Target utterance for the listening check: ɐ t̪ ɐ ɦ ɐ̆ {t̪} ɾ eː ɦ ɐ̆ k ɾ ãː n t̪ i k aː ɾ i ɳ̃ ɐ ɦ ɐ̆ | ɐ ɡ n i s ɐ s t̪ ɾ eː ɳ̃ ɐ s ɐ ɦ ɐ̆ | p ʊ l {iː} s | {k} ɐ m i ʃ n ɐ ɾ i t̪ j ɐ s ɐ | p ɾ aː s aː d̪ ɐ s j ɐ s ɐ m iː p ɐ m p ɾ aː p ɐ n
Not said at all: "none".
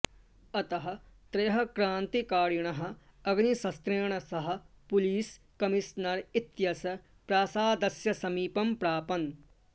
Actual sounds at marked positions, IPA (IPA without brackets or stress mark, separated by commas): t̪, iː, k